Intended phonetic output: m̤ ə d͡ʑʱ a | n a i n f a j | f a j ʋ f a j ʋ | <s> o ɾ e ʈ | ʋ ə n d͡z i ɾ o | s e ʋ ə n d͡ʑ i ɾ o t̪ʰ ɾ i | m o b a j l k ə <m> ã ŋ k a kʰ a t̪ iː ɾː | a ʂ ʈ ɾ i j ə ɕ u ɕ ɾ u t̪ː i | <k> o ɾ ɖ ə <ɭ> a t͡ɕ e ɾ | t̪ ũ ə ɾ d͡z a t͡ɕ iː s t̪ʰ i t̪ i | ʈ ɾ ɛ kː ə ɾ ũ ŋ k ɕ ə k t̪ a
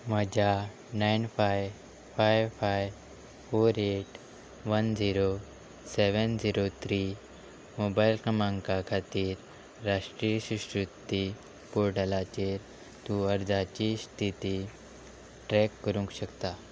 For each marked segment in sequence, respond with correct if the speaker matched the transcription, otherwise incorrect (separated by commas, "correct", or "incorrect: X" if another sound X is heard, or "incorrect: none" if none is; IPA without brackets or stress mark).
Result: incorrect: f, correct, incorrect: p, incorrect: l